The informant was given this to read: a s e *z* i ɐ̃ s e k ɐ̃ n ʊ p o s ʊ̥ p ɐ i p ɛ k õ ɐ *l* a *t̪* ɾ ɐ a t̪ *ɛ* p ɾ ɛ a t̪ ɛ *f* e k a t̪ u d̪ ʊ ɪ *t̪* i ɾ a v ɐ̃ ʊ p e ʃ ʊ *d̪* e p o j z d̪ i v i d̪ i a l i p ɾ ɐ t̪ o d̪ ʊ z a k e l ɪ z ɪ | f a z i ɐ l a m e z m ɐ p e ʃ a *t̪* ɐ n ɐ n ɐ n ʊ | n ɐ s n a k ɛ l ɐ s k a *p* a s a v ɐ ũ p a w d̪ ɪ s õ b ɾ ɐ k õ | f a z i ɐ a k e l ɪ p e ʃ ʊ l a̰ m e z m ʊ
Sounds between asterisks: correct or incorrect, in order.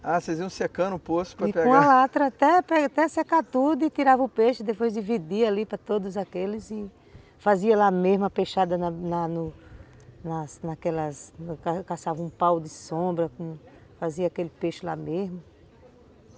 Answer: correct, correct, correct, correct, incorrect, correct, correct, incorrect, incorrect

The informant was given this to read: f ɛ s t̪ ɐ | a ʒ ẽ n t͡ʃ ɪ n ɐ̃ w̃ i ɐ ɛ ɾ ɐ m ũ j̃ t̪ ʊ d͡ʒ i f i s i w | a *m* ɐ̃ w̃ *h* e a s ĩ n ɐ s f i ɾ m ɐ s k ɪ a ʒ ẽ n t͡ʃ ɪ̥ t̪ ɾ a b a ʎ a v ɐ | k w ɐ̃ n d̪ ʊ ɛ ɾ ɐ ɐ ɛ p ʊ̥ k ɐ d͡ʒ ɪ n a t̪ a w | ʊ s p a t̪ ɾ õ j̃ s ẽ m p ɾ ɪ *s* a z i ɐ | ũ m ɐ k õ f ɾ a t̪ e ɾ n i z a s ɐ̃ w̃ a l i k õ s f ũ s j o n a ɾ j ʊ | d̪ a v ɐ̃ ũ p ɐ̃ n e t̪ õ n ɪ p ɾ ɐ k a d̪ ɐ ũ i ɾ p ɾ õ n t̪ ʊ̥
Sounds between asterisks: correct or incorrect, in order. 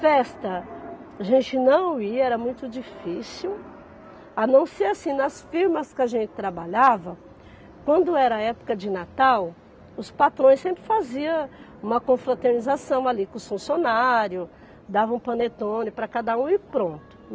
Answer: incorrect, incorrect, incorrect

